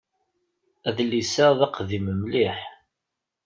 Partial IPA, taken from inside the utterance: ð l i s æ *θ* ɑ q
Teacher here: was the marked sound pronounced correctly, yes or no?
no